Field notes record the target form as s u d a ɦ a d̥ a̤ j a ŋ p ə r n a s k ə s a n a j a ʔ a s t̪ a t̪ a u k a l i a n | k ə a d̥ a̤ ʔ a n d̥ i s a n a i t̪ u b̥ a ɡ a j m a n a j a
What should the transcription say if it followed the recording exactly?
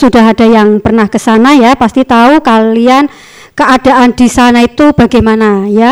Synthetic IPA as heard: s u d a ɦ a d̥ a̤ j a ŋ p ə r n a h k ə s a n a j a p a s t̪ i t̪ a u k a l i a n | k ə a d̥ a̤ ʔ a n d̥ i s a n a i t̪ u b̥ a ɡ a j m a n a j a